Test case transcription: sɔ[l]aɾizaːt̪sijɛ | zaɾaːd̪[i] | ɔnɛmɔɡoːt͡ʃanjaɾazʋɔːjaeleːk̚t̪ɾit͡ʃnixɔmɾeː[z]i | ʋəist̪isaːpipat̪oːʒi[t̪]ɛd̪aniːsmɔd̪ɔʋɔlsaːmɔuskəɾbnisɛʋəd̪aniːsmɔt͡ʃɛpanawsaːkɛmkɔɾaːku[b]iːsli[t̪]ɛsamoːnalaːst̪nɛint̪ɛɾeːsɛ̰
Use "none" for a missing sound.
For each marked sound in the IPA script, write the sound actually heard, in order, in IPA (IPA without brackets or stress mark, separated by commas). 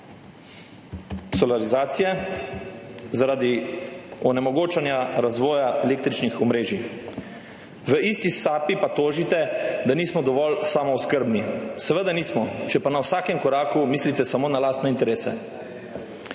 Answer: l, i, ʒ, t̪, m, t̪